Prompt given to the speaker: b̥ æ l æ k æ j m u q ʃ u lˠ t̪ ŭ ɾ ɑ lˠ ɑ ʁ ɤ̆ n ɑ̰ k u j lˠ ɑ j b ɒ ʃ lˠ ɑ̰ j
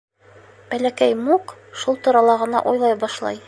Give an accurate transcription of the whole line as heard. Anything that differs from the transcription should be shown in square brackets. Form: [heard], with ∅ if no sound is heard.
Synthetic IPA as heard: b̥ æ l æ k æ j m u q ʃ u lˠ t̪ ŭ ɾ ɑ lˠ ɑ ʁ ɤ̆ n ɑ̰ [ʔ] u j lˠ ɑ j b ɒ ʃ lˠ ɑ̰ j